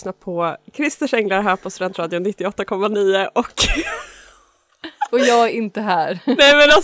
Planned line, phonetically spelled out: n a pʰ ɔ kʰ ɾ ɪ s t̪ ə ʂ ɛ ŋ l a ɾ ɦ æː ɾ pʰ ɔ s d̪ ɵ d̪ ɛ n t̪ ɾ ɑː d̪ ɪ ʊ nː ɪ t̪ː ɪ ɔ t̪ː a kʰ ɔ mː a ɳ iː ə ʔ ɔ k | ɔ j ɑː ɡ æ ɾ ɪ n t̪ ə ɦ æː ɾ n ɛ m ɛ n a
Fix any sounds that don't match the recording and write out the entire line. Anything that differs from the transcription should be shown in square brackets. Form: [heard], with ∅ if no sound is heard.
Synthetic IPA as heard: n a pʰ ɔ kʰ ɾ ɪ s t̪ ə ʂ ɛ ŋ l a ɾ ɦ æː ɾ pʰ ɔ s [t̪] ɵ d̪ ɛ n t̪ ɾ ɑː d̪ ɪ ʊ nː ɪ t̪ː ɪ ɔ t̪ː a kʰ ɔ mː a [n] iː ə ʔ ɔ k | ɔ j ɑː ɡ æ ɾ ɪ n t̪ ə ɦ æː ɾ n ɛ m ɛ n a